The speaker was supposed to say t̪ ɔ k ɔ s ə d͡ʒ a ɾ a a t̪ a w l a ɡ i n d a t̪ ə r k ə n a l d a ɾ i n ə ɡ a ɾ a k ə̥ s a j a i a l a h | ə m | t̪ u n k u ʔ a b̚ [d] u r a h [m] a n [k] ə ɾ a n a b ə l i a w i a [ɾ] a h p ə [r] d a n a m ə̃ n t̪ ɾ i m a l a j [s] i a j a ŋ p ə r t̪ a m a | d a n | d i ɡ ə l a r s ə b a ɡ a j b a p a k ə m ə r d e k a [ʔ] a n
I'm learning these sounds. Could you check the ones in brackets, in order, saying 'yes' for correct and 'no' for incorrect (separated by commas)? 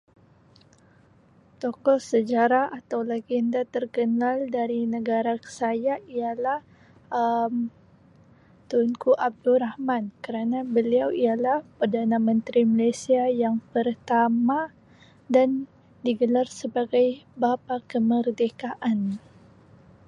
yes, yes, yes, no, yes, yes, yes